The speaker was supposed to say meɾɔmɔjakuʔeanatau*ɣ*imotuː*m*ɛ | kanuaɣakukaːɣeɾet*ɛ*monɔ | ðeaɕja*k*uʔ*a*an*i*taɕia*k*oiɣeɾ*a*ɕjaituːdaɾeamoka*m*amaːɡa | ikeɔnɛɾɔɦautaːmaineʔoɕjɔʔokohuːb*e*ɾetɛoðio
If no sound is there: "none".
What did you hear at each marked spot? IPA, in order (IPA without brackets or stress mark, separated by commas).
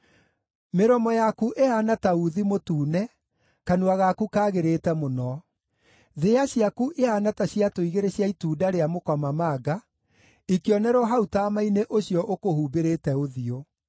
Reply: ð, n, ɛ, k, e, a, t, e, m, e